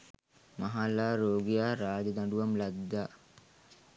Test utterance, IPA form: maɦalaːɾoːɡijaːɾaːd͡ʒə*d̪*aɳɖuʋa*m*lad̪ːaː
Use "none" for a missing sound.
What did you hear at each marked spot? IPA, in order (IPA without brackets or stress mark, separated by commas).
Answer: d̪, m